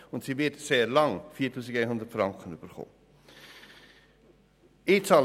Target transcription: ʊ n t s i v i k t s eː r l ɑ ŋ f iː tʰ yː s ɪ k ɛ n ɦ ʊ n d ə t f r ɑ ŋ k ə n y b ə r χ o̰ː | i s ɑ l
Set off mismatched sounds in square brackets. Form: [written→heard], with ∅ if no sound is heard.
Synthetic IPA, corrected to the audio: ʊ n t s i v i [k→∅] t s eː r l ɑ ŋ f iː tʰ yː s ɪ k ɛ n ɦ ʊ n d ə t f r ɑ ŋ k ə n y b ə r χ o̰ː | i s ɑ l